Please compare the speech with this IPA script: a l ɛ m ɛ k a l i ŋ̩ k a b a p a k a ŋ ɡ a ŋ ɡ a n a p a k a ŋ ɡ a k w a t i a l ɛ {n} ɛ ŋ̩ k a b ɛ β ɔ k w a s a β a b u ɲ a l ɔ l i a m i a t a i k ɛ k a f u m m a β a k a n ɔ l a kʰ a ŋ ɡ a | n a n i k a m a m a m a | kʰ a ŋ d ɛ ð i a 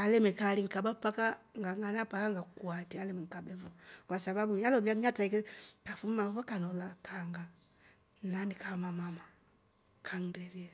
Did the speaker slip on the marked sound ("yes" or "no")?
yes